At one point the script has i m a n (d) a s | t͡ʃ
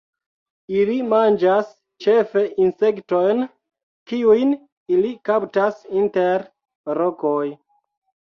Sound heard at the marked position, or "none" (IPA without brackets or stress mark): d͡ʒ